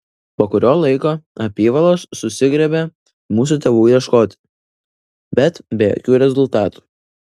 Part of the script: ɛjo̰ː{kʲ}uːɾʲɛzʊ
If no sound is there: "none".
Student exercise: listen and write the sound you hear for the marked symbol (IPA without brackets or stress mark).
kʲ